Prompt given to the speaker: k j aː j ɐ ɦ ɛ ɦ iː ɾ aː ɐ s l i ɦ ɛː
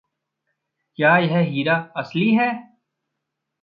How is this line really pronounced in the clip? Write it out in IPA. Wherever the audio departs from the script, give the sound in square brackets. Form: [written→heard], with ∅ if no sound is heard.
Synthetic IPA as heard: k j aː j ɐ ɦ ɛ ɦ iː ɾ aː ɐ s l i ɦ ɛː